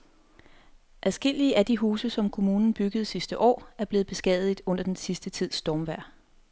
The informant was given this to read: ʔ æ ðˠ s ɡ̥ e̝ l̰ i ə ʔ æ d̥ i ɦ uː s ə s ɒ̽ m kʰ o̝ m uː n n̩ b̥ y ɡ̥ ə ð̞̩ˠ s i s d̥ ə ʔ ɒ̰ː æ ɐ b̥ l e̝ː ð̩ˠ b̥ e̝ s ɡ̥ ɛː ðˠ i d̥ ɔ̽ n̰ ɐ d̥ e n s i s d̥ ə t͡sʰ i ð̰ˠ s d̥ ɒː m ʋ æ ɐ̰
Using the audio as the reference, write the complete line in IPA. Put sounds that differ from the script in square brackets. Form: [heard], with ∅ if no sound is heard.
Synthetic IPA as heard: ʔ æ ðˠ s ɡ̥ e̝ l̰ i ə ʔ æ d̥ i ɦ uː s ə s ɒ̽ m kʰ o̝ m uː n n̩ b̥ y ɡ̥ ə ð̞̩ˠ s i s d̥ ə ʔ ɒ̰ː æ ɐ b̥ l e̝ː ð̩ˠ b̥ e̝ s ɡ̥ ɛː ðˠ i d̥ ɔ̽ n̰ ɐ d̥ e n s i s d̥ ə t͡sʰ i ð̰ˠ s d̥ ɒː m ʋ æ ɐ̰